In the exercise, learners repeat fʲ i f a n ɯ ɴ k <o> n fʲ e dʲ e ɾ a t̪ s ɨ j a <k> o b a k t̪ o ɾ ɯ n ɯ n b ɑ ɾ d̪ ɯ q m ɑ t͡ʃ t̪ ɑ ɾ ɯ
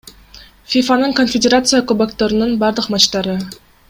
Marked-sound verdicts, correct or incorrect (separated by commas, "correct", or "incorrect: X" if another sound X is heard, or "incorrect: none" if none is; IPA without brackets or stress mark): correct, correct